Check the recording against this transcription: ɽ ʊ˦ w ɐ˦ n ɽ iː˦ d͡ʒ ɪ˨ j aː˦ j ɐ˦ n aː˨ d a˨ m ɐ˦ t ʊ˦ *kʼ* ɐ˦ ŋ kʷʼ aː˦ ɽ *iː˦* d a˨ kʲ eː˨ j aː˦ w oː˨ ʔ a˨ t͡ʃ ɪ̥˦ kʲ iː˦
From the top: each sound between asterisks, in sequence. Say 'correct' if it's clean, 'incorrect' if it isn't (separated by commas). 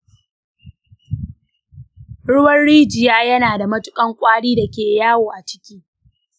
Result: correct, correct